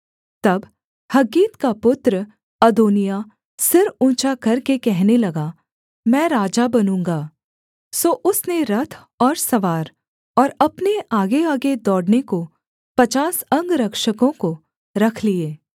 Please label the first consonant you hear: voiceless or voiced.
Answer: voiceless